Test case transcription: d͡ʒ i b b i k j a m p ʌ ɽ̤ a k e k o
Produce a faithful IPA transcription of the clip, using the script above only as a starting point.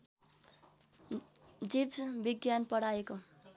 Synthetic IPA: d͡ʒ i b b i ɡ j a n p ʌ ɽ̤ a e k o